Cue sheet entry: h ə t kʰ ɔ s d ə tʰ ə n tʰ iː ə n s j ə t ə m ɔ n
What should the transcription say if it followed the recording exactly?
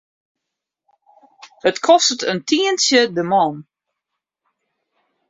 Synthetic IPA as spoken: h ə t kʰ ɔ s t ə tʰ ə n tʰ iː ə n s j ə d ə m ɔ n